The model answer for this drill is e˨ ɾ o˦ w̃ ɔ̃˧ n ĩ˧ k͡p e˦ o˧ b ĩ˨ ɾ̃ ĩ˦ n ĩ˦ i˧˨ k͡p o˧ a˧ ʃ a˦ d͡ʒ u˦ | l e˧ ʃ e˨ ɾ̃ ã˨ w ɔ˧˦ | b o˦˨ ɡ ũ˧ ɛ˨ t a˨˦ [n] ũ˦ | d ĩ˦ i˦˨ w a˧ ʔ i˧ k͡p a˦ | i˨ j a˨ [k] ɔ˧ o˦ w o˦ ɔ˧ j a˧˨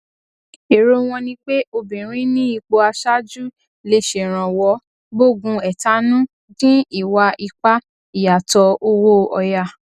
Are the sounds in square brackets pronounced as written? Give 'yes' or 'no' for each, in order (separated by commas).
yes, no